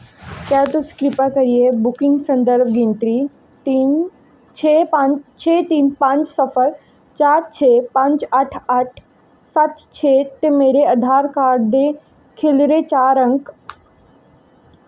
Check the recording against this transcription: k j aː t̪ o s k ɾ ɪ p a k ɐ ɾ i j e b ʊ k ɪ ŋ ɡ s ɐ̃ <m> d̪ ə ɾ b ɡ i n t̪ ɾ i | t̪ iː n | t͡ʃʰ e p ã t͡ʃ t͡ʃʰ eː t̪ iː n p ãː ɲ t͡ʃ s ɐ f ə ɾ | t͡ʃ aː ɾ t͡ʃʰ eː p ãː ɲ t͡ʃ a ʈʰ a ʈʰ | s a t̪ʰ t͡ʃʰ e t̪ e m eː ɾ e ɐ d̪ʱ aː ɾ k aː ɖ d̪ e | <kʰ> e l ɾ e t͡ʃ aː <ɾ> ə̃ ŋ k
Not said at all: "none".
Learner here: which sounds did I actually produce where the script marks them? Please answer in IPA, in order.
n, kʰ, ɾ

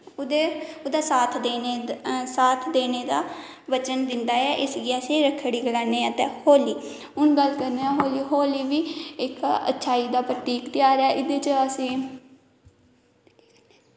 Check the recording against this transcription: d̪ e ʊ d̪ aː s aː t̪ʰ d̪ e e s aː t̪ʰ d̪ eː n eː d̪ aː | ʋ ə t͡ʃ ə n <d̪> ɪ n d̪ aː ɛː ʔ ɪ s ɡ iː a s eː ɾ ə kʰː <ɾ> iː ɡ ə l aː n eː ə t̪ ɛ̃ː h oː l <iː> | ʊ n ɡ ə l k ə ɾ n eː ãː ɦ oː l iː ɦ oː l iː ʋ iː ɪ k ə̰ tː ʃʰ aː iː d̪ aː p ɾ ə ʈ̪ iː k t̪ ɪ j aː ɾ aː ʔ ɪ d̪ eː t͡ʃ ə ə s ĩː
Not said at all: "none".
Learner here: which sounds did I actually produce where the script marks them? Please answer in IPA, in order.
d̪, ɽ, iː

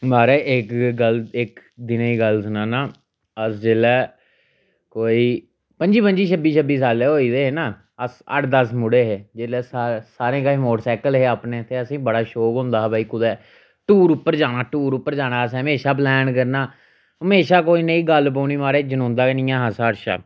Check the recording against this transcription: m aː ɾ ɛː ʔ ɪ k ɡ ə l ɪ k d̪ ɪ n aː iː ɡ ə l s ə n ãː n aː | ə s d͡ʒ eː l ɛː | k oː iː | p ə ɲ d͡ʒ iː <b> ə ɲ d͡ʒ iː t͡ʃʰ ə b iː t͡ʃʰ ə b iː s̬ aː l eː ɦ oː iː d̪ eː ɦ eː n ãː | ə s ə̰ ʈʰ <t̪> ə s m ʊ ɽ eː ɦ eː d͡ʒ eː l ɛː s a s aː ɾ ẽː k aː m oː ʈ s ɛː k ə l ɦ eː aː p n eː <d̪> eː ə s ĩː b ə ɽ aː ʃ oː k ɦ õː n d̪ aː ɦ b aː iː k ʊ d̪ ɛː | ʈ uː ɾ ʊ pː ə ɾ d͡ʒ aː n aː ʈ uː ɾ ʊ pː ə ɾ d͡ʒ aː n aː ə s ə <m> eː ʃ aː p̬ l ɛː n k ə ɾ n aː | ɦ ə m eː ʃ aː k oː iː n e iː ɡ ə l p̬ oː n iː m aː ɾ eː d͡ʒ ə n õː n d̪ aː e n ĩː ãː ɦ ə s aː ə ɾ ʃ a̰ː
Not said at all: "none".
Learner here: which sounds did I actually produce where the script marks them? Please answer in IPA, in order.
p, d̪, t̪, m

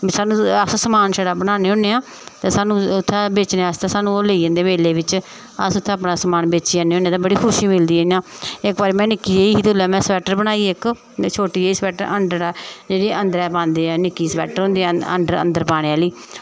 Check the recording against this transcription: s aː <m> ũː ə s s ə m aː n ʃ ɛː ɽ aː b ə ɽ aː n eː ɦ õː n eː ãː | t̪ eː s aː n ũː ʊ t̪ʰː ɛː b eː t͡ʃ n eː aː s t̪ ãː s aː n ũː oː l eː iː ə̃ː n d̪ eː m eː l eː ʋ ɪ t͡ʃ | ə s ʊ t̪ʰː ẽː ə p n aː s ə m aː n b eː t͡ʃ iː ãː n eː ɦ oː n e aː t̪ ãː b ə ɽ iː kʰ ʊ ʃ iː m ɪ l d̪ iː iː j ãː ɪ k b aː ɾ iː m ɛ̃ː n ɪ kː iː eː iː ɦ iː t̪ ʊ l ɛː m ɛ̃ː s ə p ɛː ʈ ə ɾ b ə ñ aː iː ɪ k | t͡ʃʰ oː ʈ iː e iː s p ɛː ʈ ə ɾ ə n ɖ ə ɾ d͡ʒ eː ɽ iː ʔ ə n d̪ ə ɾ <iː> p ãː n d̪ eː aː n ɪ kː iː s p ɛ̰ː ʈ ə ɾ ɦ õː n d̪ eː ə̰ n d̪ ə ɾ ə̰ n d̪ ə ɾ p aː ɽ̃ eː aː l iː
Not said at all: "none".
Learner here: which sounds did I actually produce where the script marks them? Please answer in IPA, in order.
n, ɛː

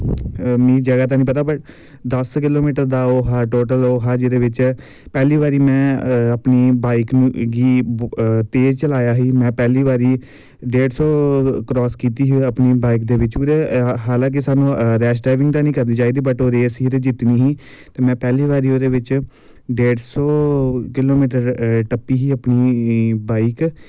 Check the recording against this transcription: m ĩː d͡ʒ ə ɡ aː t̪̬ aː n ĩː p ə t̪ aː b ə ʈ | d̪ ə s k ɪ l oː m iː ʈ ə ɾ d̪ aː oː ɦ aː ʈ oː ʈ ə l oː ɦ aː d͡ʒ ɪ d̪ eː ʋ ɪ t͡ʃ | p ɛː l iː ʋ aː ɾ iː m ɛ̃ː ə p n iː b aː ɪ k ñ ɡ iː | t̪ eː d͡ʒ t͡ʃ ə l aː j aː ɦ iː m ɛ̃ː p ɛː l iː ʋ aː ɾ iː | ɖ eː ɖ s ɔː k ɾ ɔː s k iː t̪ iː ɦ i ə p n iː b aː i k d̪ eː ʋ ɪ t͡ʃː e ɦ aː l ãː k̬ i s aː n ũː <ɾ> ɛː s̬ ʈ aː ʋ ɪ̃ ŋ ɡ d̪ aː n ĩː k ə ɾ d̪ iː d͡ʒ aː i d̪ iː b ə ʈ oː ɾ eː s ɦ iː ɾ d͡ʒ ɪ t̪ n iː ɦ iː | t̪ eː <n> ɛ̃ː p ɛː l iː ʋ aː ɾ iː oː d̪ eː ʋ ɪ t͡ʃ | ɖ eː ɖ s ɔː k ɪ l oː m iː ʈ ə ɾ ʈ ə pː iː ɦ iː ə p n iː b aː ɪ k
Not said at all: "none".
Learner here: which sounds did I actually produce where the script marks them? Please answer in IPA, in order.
ɾ, m

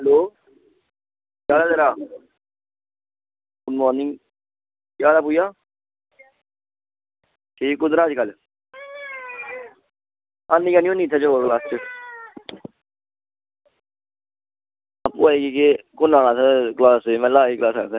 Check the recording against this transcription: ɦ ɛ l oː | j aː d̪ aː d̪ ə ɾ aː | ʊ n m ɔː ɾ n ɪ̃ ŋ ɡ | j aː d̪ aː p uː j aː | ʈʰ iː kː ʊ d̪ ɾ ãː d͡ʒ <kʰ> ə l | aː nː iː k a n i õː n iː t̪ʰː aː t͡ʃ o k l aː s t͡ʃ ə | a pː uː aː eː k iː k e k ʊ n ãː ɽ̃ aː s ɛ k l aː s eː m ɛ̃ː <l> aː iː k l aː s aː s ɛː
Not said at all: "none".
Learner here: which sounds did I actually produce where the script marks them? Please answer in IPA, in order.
k, l

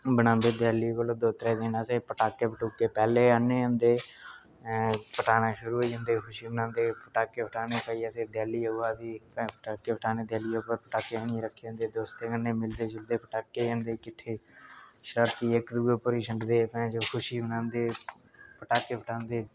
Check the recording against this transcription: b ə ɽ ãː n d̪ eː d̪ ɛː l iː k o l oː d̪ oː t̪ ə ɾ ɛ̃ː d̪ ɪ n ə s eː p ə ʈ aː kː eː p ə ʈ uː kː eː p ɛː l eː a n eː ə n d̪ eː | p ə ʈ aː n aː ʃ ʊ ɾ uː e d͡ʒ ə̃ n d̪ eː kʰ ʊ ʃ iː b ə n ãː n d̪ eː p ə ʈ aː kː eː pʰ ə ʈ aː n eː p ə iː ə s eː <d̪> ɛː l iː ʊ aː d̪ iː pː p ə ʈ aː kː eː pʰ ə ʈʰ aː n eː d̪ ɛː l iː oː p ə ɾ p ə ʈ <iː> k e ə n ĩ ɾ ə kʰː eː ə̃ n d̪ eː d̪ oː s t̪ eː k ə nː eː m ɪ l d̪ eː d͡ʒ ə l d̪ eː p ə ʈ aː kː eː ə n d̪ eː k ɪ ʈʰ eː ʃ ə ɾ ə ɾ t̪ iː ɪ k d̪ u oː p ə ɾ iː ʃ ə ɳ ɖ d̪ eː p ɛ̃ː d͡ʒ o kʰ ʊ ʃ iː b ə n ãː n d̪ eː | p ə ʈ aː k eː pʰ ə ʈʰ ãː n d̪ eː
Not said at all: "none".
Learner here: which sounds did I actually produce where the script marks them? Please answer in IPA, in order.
d̪, aː

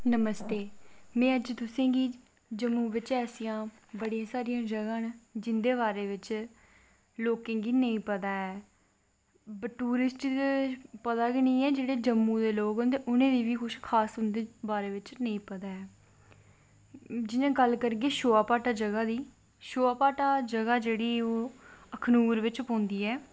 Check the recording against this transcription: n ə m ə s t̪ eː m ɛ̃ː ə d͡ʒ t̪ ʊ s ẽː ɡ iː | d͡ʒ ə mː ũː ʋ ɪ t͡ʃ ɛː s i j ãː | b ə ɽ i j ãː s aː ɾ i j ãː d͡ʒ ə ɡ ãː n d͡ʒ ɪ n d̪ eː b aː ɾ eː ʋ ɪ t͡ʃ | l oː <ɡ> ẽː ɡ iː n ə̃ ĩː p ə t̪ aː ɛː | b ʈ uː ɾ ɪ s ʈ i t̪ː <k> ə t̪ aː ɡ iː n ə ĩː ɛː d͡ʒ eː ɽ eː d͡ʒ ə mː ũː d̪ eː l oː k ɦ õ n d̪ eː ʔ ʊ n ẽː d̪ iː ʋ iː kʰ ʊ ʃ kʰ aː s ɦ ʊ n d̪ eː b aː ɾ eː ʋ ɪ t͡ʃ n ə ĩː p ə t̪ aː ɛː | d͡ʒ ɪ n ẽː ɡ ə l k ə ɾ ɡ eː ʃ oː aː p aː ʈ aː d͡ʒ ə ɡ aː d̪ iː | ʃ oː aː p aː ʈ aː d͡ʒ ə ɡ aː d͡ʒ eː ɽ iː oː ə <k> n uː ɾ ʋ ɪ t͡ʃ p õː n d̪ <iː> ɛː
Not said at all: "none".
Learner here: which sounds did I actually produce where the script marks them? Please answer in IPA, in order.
k, p, kʰ, iː

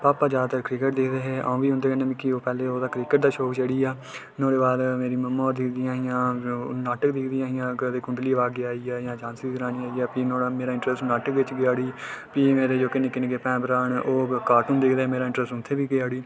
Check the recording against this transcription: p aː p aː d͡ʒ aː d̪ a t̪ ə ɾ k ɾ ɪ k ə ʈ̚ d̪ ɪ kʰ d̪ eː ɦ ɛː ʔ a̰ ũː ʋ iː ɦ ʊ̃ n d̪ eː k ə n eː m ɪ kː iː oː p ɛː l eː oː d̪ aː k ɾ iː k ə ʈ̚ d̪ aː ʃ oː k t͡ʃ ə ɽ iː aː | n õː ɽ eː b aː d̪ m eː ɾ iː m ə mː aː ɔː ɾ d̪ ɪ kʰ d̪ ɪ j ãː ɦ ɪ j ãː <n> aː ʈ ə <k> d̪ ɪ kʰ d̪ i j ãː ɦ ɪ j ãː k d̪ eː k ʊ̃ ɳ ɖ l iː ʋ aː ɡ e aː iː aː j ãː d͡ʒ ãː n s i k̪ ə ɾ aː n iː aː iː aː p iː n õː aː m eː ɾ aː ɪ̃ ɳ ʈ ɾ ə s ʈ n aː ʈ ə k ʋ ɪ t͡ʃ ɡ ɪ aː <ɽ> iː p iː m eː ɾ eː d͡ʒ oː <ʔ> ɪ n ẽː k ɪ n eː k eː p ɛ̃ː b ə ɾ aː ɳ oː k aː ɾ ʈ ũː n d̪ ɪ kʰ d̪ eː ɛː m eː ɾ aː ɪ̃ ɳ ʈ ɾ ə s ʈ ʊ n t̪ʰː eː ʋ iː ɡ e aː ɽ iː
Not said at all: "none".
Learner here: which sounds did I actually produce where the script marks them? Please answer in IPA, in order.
n, k, ɽ, k

